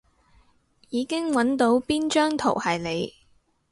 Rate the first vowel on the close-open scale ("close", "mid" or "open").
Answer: close